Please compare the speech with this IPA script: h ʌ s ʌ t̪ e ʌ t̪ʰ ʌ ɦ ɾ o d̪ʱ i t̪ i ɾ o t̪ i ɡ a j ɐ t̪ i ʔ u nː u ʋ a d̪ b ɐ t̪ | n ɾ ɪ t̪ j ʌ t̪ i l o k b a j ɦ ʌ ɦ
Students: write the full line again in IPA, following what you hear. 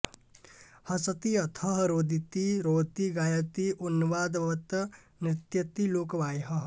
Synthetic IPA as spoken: h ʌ s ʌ t̪ i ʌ t̪ʰ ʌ ɦ ɾ o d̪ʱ i t̪ i ɾ o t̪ i ɡ a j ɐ t̪ i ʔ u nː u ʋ a d̪ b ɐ t̪ | n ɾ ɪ t̪ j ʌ t̪ i l o k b a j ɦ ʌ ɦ